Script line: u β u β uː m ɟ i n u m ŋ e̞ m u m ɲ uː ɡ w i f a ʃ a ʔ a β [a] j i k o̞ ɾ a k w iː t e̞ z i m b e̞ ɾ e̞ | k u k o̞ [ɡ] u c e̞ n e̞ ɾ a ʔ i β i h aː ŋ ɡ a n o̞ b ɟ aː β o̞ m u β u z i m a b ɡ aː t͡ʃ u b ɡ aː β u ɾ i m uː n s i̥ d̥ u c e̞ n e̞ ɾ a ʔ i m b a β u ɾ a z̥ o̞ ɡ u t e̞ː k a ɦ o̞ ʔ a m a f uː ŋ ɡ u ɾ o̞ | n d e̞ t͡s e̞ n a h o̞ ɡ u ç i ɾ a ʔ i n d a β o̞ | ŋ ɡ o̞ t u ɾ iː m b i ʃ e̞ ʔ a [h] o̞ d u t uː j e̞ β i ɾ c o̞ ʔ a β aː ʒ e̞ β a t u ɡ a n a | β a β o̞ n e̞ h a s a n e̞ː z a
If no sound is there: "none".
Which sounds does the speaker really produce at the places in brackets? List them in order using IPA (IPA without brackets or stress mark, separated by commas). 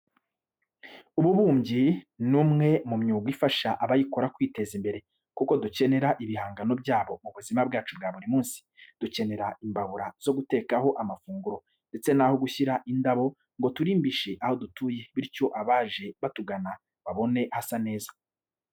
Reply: a, d, h